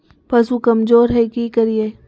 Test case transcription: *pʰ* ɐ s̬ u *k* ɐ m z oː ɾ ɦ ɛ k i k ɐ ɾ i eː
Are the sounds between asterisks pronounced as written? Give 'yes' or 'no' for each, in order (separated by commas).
no, yes